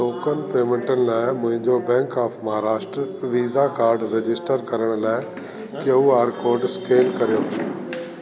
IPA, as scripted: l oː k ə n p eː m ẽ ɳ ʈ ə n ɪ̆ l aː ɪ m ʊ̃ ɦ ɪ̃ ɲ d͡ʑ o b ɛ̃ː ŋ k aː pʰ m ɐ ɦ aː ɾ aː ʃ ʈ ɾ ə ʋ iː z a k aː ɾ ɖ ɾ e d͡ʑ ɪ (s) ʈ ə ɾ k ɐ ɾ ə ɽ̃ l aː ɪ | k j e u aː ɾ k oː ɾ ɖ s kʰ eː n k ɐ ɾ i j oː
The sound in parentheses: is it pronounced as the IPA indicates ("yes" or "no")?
yes